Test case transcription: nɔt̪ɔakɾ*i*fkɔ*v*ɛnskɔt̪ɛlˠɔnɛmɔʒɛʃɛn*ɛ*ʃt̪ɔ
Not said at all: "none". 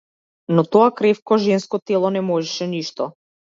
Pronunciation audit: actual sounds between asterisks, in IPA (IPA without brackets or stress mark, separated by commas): ɛ, ʒ, i